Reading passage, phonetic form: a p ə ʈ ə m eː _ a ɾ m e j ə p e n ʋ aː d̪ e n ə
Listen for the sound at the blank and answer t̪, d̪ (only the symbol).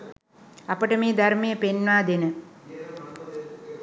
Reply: d̪